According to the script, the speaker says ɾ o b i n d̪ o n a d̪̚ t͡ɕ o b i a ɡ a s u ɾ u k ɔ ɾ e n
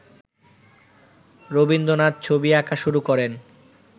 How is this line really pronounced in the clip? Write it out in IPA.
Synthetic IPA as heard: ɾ o b i n d̪ o n a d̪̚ t͡ɕʰ o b i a k a ʃ u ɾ u k ɔ ɾ e n